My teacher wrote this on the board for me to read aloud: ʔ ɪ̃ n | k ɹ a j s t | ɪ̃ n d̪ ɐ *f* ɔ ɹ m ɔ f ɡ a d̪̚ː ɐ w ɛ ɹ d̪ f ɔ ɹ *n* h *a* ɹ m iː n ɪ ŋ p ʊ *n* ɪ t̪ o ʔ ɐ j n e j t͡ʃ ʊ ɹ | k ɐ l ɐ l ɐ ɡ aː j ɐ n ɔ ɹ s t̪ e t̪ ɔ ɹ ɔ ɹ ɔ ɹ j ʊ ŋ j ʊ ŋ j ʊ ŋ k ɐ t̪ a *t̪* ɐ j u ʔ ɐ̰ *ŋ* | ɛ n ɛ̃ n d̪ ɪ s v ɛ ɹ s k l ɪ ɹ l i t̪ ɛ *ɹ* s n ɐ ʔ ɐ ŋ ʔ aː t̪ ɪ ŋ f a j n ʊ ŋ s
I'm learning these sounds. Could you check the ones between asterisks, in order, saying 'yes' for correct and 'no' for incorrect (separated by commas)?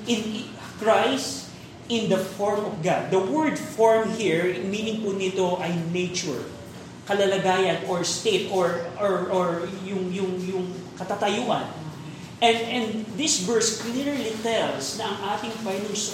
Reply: yes, no, no, yes, yes, no, no